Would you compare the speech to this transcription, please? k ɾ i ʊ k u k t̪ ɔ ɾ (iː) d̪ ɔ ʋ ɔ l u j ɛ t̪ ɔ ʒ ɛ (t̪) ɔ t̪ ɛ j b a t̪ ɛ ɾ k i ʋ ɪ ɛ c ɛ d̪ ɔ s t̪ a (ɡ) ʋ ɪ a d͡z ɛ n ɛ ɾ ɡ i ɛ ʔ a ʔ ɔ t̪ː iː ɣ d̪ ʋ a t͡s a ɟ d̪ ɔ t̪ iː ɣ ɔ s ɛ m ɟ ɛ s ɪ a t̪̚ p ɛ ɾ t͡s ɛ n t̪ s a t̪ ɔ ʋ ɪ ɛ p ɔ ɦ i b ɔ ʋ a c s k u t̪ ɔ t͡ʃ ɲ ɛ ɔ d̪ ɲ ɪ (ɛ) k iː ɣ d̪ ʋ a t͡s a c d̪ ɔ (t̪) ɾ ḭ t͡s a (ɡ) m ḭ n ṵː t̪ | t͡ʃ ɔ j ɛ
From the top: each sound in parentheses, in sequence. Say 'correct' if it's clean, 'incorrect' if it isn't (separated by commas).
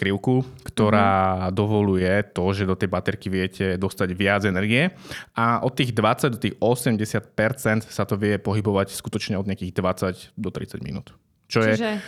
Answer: incorrect, incorrect, incorrect, incorrect, correct, incorrect